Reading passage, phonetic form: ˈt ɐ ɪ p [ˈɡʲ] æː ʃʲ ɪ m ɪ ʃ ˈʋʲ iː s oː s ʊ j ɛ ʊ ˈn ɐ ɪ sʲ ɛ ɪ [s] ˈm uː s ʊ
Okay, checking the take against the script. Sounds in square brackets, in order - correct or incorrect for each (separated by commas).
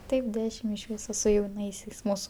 incorrect, correct